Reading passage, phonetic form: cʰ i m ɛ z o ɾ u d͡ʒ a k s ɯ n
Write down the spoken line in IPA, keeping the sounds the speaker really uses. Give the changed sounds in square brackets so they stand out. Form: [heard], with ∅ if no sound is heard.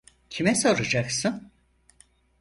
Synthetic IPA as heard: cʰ i m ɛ [s] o ɾ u d͡ʒ a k s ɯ n